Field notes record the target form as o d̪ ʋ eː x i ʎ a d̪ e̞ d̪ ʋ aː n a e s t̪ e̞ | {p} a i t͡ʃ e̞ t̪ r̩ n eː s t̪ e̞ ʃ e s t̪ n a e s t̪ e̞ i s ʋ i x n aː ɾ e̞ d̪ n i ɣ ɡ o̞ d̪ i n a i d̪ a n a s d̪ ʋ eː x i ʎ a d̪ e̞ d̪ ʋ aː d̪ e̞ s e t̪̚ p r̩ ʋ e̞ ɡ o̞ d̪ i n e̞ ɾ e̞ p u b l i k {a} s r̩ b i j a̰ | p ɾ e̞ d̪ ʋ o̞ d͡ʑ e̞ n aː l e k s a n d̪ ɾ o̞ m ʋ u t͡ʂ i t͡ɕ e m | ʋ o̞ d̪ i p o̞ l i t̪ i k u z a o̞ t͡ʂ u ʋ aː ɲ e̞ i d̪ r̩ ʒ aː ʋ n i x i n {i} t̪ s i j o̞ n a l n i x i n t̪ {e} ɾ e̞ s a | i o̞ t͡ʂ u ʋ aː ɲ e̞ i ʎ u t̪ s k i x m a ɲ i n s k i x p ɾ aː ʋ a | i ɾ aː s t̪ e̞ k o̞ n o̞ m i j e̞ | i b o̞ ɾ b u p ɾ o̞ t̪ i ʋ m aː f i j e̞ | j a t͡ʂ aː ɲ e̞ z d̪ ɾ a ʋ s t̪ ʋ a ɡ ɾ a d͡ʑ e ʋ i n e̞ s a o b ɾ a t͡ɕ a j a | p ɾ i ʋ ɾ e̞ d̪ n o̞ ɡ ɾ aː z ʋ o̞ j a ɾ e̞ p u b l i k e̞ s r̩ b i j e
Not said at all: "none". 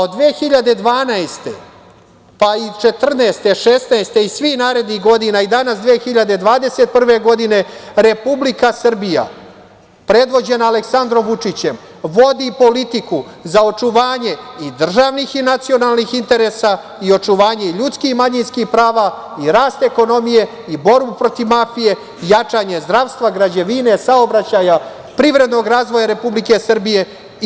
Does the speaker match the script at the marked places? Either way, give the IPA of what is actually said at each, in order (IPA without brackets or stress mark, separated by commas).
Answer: p, a, a, e